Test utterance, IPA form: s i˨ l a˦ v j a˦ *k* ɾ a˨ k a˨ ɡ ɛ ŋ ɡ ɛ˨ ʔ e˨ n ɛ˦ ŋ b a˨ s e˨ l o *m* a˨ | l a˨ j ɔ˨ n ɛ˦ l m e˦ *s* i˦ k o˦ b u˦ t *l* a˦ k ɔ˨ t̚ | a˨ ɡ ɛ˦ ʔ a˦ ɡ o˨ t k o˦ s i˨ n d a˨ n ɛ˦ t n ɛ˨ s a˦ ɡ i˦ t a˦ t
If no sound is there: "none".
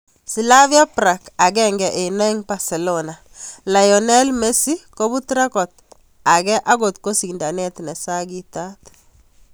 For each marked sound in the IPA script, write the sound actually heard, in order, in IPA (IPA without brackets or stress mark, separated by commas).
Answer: p, n, s, ɾ